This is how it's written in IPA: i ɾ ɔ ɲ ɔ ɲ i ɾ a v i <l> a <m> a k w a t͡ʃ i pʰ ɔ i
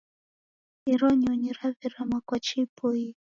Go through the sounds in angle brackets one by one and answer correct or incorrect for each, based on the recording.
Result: incorrect, correct

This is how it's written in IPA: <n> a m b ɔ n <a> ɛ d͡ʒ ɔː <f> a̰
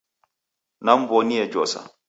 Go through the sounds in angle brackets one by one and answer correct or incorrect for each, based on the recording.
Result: correct, incorrect, incorrect

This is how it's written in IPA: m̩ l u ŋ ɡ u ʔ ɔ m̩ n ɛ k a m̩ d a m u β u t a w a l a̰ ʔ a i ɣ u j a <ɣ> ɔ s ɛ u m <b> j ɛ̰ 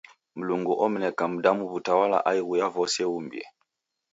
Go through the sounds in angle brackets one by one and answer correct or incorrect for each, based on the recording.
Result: incorrect, correct

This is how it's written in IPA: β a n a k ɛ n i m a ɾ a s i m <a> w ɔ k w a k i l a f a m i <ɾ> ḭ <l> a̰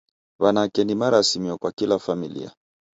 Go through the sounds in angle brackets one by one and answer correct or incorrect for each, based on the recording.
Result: incorrect, incorrect, incorrect

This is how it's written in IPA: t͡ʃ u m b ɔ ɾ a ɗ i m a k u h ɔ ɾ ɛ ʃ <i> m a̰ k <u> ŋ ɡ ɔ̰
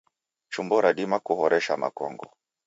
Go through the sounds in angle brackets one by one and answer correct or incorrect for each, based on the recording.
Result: incorrect, incorrect

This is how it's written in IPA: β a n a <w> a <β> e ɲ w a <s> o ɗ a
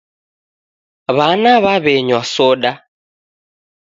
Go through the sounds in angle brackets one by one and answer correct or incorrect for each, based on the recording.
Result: incorrect, correct, correct

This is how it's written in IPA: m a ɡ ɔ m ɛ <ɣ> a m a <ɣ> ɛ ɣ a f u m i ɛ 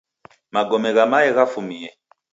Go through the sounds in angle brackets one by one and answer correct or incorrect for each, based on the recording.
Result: correct, incorrect

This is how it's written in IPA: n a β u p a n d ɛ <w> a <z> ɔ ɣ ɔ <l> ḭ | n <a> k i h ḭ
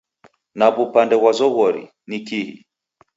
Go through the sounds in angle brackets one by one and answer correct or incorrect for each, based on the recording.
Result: correct, correct, incorrect, incorrect

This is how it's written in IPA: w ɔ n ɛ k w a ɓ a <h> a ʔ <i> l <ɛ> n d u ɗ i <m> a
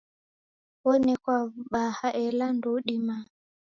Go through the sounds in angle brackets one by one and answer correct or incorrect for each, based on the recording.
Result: correct, incorrect, incorrect, correct

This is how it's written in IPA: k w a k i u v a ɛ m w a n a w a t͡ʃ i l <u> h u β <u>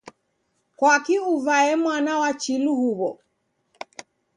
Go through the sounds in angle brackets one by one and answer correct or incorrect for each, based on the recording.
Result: correct, incorrect

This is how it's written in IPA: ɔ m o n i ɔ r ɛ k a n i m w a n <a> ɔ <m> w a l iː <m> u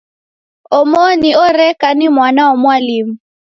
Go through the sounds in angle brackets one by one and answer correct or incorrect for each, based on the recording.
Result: correct, correct, correct

